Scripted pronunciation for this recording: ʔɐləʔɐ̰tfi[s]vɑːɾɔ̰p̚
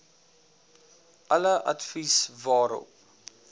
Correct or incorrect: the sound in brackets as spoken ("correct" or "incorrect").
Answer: correct